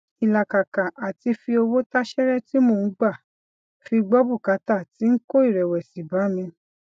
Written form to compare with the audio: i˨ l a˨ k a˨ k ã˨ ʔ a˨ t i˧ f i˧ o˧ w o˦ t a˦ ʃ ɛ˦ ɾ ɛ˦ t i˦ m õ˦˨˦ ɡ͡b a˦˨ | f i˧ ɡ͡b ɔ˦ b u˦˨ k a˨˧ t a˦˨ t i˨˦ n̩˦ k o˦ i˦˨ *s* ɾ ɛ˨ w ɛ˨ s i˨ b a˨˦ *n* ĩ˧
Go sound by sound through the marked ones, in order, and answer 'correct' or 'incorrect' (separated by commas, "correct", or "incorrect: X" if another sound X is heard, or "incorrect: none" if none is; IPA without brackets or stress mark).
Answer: incorrect: none, incorrect: m